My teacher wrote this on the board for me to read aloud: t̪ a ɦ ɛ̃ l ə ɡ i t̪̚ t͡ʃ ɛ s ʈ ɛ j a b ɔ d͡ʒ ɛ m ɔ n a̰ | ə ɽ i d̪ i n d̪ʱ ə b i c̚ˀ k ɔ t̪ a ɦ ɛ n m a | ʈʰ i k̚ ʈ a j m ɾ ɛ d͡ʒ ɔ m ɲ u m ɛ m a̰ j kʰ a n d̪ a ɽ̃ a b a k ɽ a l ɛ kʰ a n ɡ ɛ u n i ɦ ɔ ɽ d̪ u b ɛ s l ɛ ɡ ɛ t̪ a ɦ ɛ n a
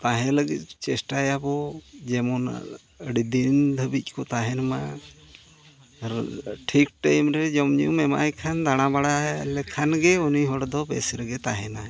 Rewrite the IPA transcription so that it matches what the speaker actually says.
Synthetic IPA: t̪ a ɦ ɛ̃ l ə ɡ i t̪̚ t͡ʃ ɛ s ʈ a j a b ɔ d͡ʒ ɛ m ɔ n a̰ | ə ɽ i d̪ i n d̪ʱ ə b i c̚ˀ k ɔ t̪ a ɦ ɛ n m a | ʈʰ i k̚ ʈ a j m ɾ ɛ d͡ʒ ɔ m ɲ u m ɛ m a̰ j kʰ a n d̪ a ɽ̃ a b a ɽ a l ɛ kʰ a n ɡ ɛ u n i ɦ ɔ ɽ d̪ ɔ b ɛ s ɾ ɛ ɡ ɛ t̪ a ɦ ɛ n a